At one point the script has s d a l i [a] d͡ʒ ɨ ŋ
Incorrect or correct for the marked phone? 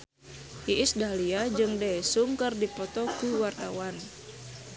correct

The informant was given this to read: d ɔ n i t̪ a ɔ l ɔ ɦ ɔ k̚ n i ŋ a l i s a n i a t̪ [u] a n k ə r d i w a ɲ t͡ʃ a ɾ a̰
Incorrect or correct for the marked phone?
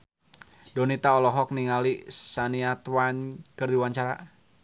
incorrect: w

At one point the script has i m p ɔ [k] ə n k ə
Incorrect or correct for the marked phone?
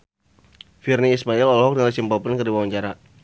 incorrect: p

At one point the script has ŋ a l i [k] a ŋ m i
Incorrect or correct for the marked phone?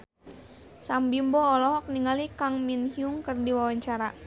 correct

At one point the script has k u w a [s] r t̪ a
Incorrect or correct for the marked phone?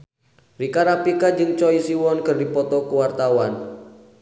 incorrect: none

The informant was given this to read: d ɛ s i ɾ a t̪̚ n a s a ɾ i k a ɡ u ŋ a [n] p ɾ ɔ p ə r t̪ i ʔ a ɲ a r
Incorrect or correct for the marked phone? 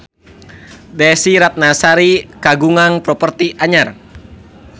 incorrect: ŋ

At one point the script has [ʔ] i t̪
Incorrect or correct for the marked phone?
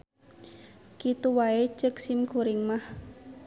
incorrect: k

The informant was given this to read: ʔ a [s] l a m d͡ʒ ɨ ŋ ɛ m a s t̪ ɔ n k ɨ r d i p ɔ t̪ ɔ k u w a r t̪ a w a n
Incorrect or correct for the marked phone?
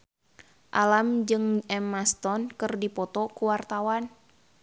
incorrect: none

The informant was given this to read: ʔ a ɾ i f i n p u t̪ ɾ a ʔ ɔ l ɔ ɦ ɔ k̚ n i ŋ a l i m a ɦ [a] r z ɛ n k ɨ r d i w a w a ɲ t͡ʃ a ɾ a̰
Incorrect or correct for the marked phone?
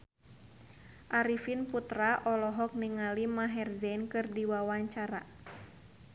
incorrect: ɛ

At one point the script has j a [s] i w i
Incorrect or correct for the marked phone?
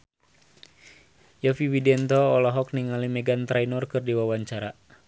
incorrect: f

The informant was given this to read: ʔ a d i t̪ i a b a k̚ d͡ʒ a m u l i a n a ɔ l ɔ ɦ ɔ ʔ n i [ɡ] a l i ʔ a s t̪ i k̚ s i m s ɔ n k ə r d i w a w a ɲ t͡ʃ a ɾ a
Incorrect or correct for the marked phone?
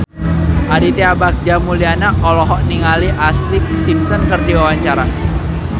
incorrect: ŋ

